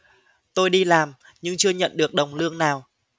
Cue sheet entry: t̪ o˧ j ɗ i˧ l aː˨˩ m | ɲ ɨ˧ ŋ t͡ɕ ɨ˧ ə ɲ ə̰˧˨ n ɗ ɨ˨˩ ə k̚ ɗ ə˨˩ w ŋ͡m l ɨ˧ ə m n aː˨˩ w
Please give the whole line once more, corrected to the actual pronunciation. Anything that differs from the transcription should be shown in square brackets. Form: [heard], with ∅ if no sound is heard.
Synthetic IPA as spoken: t̪ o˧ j ɗ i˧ l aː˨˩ m | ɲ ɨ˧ ŋ t͡ɕ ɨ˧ ə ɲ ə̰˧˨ n ɗ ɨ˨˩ ə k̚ ɗ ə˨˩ w ŋ͡m l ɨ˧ ə [ŋ] n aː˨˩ w